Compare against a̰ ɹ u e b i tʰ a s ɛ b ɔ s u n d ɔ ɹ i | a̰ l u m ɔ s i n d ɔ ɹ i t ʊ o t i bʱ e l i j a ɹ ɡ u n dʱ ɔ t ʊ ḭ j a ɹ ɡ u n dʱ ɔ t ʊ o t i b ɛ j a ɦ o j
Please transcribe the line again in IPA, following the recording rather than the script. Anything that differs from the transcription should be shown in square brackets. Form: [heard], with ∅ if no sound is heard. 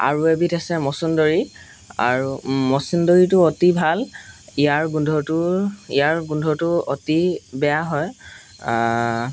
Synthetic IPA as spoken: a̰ ɹ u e b i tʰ a s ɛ [m] ɔ s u n d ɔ ɹ i | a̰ [ɹ] u m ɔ s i n d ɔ ɹ i t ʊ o t i bʱ [a] l i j a ɹ ɡ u n dʱ ɔ t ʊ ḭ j a ɹ ɡ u n dʱ ɔ t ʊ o t i b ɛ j a ɦ [ɔ] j